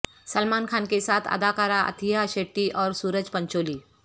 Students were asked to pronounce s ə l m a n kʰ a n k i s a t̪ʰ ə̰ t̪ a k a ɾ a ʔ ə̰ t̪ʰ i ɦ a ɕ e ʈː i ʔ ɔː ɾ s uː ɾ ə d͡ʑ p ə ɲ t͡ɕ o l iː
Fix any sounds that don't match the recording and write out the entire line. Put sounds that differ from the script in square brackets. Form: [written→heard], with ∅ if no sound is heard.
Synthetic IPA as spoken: s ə l m a n kʰ a n k [i→e] s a t̪ʰ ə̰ [t̪→d̪] a k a ɾ a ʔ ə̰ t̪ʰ i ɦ a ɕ e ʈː i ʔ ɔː ɾ s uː ɾ ə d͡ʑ p ə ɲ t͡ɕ o l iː